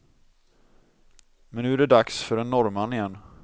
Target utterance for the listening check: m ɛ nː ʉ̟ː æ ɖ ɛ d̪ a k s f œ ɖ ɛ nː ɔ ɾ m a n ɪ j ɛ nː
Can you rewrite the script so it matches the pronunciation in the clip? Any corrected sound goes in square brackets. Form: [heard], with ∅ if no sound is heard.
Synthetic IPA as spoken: m ɛ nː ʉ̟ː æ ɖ ɛ d̪ a k s f œ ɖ ɛ nː ɔ ɾ m a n ɪ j ɛ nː